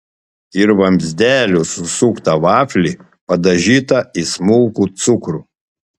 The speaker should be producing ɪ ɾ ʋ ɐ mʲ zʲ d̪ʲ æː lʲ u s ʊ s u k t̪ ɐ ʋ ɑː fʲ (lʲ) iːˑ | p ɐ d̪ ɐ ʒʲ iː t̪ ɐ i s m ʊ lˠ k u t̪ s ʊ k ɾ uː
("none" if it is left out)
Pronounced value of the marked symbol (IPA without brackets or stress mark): lʲ